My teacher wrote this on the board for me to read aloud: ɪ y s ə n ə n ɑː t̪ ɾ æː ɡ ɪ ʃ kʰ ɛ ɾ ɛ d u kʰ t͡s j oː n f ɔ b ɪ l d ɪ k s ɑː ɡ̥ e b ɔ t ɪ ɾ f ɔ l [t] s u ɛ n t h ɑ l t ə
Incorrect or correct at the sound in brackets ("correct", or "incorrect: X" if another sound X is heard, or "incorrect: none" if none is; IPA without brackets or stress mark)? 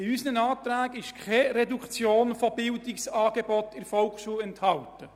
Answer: incorrect: k